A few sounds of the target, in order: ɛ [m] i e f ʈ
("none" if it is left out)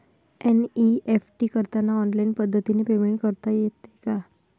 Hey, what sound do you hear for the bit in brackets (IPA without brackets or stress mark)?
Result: n